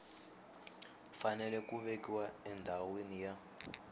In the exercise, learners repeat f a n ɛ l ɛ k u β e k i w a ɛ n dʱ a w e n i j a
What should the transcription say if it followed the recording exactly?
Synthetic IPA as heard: f a n ɛ l ɛ k u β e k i w a ɛ n dʱ a w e n i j a